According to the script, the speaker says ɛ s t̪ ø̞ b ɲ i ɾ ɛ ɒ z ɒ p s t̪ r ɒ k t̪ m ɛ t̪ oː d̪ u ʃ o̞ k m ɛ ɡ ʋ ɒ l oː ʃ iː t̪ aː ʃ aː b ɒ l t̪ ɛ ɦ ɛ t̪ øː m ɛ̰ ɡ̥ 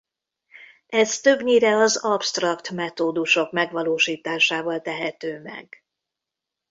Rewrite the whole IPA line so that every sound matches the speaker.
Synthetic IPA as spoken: ɛ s t̪ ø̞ b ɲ i ɾ ɛ ɒ z ɒ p s t̪ r ɒ k t̪ m ɛ t̪ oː d̪ u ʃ o̞ k m ɛ ɡ ʋ ɒ l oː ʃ iː t̪ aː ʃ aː v ɒ l t̪ ɛ ɦ ɛ t̪ øː m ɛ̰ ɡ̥